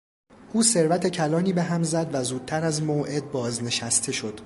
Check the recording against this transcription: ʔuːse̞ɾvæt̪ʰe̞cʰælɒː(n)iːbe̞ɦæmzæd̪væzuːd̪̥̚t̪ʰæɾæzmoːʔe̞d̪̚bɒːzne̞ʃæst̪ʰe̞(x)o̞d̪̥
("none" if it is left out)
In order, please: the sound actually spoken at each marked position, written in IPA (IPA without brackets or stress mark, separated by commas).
n, ʃ